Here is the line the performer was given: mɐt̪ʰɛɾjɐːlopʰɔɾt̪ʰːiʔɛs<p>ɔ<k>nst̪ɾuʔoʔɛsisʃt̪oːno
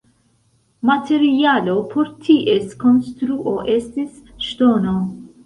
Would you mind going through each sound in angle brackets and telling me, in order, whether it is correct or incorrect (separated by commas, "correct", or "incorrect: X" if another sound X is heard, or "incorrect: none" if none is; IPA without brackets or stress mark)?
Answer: incorrect: k, incorrect: none